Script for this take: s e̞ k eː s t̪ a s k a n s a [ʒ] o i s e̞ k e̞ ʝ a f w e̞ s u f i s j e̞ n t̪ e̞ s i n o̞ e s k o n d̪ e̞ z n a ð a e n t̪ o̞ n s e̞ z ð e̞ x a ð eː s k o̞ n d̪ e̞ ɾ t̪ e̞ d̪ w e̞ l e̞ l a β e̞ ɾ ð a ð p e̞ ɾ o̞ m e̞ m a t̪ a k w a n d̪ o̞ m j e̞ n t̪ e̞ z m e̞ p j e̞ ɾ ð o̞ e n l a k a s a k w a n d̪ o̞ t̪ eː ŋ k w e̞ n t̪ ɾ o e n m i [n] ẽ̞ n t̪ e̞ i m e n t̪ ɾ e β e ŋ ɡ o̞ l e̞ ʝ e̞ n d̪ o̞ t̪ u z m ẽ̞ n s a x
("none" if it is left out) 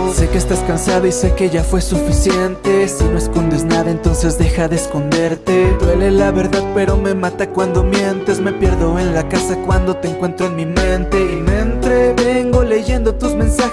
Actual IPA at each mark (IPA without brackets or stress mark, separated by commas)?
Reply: ð, m